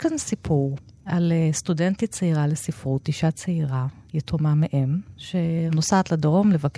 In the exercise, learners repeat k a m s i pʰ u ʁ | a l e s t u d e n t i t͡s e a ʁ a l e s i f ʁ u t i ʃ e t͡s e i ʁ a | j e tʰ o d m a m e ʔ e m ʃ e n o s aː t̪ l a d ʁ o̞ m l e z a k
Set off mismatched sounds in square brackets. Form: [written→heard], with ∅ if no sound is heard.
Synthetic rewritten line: k a [m→n] s i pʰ u ʁ | a l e s t u d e n t i t͡s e [a→i] ʁ a l e s i f ʁ u t i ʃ [e→a] t͡s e i ʁ a | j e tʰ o [d→∅] m a m e ʔ e m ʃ e n o s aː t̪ l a d ʁ o̞ m l e [z→v] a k